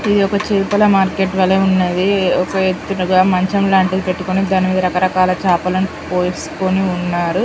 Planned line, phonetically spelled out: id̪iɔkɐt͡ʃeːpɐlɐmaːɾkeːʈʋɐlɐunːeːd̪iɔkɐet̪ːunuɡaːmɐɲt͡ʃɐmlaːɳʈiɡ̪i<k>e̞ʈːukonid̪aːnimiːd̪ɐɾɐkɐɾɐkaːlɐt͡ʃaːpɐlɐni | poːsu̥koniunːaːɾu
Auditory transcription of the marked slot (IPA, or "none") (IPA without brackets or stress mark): p